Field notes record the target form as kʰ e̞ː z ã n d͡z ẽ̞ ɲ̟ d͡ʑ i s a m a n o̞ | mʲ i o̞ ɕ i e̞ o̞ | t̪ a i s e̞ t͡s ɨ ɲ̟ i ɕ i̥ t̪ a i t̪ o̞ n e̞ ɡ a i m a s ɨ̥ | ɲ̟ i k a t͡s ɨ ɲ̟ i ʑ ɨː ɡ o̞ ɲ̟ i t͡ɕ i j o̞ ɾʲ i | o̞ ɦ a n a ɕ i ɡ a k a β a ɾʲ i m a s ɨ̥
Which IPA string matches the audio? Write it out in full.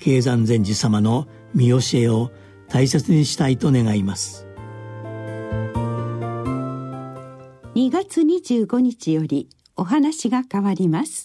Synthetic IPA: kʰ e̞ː z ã n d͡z ẽ̞ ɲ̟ d͡ʑ i s a m a n o̞ | mʲ i o̞ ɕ i e̞ o̞ | t̪ a i s e̞ t͡s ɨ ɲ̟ i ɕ i̥ t̪ a i t̪ o̞ n e̞ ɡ a i m a s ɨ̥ | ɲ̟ i ɡ a t͡s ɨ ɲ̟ i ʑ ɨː ɡ o̞ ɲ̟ i t͡ɕ i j o̞ ɾʲ i | o̞ ɦ a n a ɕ i ɡ a k a β a ɾʲ i m a s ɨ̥